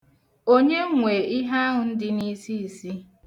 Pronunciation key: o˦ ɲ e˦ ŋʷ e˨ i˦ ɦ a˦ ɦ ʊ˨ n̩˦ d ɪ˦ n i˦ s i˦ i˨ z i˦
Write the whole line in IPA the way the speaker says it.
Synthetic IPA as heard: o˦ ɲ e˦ ŋʷ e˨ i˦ ɦ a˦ ɦ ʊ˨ n̩˦ d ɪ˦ n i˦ s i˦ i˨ s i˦